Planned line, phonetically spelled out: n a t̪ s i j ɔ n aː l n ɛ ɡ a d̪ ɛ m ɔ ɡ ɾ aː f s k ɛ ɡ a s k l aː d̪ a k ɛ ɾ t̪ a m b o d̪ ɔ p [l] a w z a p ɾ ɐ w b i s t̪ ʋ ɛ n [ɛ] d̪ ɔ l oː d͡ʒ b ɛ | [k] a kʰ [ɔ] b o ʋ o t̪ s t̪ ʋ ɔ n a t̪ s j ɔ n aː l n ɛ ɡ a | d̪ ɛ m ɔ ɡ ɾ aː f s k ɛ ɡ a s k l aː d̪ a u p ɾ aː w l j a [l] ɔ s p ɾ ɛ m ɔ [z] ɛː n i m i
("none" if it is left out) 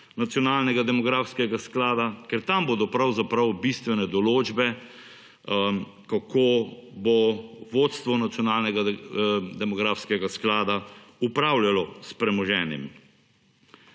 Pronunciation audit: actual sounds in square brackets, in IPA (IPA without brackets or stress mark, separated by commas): ɾ, ɛ, k, o, l, ʒ